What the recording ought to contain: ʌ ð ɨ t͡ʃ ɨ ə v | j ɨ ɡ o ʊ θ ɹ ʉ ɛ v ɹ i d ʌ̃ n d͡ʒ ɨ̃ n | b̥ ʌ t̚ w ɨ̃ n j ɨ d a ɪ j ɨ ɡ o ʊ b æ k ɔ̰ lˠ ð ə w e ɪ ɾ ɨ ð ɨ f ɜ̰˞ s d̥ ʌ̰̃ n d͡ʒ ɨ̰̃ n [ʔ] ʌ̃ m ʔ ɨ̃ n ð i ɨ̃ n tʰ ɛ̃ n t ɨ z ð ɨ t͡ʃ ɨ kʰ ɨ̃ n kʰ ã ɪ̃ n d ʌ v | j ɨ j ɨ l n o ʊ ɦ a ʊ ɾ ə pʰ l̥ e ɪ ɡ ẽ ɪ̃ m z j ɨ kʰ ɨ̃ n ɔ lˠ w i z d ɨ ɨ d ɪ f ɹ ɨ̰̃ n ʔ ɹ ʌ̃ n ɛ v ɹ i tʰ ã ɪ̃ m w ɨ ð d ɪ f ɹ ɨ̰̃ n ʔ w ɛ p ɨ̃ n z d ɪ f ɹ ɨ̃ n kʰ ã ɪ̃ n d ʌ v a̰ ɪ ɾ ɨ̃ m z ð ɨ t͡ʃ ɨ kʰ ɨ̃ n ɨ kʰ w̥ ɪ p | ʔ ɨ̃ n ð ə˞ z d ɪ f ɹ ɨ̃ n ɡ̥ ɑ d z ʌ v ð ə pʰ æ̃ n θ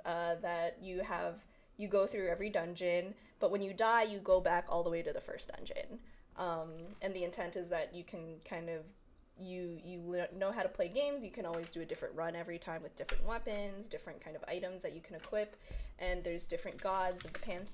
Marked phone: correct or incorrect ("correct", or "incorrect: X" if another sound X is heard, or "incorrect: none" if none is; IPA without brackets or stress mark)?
correct